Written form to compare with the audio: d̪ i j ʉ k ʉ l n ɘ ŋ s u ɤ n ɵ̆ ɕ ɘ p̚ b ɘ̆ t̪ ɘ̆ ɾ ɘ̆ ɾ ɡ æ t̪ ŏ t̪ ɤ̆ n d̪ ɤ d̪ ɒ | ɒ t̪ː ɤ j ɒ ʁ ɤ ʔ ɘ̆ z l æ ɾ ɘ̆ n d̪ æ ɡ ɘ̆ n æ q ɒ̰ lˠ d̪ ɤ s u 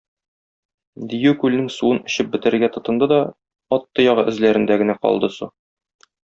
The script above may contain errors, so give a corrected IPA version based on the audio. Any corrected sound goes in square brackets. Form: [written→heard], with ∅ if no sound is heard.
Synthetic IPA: d̪ i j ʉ k ʉ l n ɘ ŋ s u ɤ n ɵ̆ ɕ ɘ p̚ b ɘ̆ t̪ ɘ̆ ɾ ɘ̆ ɾ ɡ æ t̪ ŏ t̪ ɤ̆ n d̪ ɤ d̪ ɒ | ɒ t̪ː ɤ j ɒ ʁ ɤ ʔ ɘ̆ z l æ ɾ ɘ̆ n d̪ æ ɡ ɘ̆ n æ q ɒ̰ lˠ d̪ ɤ s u